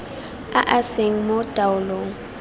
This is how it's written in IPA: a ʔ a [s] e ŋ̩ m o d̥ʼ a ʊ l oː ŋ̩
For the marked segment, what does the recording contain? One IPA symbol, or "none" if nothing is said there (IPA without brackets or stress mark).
s